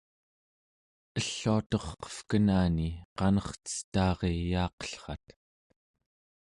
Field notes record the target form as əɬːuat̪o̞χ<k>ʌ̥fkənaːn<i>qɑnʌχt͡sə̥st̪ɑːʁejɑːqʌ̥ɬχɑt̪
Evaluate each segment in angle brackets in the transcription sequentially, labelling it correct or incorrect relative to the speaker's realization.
incorrect: q, correct

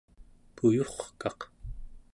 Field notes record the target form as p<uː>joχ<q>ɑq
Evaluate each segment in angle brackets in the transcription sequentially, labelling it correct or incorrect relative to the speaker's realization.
incorrect: u, incorrect: k

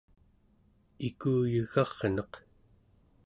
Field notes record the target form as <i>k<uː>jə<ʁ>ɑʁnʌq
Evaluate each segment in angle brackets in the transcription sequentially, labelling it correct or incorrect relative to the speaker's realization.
correct, correct, incorrect: ɣ

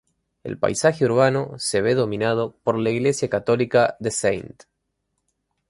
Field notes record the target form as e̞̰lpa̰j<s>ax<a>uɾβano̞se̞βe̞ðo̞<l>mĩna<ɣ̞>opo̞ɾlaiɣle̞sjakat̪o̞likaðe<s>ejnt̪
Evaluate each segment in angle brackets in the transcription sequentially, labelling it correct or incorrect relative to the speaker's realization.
correct, incorrect: e, incorrect: none, incorrect: ð̞, correct

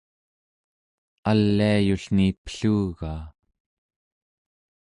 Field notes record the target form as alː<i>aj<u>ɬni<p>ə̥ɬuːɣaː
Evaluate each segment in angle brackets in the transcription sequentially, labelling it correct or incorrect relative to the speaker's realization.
correct, correct, correct

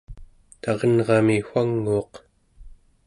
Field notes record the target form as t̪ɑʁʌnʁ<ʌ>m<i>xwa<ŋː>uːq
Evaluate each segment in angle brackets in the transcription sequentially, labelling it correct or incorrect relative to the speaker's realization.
incorrect: ɑ, correct, correct

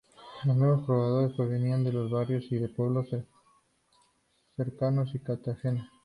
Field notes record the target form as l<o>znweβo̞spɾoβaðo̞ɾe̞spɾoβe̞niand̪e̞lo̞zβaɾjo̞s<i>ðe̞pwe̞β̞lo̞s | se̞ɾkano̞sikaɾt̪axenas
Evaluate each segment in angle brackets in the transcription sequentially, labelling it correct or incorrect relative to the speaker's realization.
correct, correct

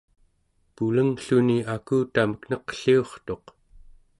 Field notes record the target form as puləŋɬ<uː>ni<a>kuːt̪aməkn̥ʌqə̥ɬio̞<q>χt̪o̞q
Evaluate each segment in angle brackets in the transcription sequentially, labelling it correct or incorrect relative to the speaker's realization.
incorrect: u, correct, incorrect: none

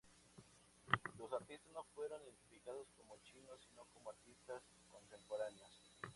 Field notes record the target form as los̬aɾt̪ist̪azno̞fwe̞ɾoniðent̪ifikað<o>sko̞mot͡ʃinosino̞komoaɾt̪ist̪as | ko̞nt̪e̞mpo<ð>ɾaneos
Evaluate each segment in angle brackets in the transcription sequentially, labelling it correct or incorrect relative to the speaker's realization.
correct, incorrect: none

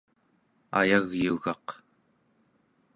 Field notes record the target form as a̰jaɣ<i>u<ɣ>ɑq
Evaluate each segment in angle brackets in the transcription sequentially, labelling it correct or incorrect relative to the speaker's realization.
incorrect: j, correct

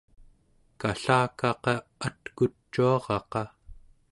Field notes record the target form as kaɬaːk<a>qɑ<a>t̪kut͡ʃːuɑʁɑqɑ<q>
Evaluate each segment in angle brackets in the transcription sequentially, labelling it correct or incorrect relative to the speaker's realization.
incorrect: ɑ, correct, incorrect: none

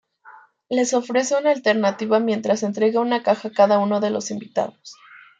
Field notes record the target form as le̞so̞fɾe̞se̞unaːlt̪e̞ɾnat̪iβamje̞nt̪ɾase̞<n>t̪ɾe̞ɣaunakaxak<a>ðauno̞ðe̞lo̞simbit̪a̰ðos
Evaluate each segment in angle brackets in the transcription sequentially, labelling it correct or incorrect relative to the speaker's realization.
correct, correct

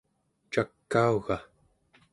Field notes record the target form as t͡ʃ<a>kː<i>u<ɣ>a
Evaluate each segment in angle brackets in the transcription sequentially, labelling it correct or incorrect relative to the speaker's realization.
correct, incorrect: a, correct

